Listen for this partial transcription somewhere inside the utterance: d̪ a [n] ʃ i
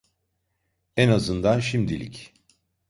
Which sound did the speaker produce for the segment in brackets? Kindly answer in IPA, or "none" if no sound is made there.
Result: n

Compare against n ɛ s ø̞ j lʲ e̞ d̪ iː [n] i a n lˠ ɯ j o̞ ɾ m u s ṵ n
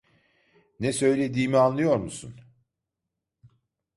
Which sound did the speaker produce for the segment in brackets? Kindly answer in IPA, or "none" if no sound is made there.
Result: m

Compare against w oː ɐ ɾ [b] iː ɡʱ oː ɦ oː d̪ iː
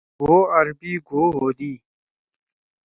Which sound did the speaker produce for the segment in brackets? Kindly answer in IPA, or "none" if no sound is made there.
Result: b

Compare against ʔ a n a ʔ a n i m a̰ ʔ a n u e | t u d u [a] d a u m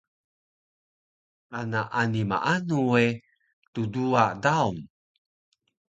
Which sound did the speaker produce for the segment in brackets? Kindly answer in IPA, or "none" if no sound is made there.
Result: a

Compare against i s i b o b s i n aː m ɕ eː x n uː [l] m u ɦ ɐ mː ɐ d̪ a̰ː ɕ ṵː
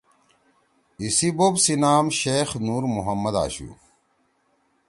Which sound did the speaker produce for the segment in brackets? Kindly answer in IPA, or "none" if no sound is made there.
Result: ɾ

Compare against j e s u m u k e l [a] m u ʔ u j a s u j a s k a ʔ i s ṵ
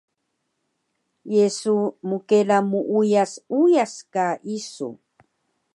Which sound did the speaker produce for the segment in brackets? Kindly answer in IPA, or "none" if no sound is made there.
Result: a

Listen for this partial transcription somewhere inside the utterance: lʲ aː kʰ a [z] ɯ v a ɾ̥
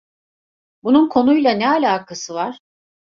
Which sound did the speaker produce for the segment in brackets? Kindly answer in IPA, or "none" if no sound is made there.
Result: s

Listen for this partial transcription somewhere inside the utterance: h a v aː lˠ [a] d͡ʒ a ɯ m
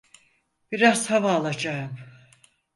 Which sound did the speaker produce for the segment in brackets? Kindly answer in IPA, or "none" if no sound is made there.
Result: a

